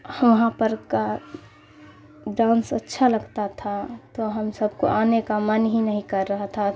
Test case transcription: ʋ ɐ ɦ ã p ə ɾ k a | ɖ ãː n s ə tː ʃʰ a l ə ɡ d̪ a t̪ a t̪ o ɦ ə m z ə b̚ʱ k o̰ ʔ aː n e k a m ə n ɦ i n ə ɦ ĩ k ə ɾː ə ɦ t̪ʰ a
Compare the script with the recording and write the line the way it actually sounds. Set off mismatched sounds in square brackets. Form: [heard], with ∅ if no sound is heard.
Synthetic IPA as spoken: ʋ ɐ ɦ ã p ə ɾ k a | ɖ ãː n s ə tː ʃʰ a l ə ɡ [t̪] a [t̪ʰ] a t̪ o ɦ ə m [s] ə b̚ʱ k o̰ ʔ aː n e k a m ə n ɦ i n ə ɦ ĩ k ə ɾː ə ɦ t̪ʰ a